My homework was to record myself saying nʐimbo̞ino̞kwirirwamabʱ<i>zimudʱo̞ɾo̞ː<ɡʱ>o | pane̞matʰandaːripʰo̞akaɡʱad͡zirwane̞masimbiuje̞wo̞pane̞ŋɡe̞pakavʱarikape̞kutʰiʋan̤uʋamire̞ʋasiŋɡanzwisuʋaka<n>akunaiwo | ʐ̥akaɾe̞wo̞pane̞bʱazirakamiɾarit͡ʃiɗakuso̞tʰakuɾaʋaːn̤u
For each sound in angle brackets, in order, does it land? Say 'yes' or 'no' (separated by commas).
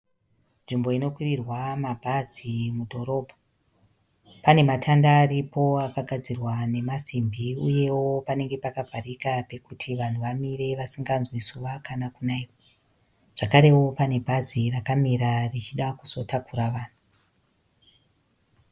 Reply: no, no, yes